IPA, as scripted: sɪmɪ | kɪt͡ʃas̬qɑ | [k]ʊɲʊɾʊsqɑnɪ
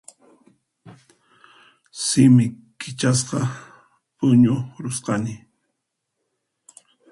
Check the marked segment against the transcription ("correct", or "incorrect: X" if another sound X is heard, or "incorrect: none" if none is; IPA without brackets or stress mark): incorrect: p